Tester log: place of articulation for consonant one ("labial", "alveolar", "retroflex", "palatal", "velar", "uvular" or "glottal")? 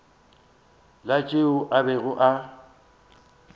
alveolar